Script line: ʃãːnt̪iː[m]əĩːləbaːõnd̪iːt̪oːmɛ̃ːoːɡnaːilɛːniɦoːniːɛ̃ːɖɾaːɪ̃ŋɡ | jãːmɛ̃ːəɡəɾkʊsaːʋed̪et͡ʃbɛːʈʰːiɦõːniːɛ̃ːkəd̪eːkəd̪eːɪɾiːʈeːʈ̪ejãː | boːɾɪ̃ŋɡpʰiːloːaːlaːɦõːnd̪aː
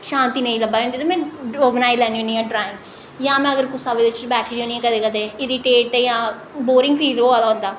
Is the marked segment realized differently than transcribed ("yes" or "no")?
yes